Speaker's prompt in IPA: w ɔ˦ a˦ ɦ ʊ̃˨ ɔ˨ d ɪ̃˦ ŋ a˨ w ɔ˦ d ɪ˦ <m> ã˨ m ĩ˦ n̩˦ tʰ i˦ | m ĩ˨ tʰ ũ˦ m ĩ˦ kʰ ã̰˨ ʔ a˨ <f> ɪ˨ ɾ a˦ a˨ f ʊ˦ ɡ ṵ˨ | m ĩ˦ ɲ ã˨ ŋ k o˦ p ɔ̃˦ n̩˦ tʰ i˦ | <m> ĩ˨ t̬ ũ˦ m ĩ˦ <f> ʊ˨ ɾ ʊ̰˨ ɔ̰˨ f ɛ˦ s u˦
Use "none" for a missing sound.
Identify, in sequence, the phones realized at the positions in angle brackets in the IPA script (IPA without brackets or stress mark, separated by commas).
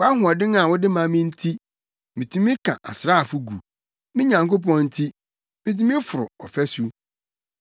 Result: m, s, m, f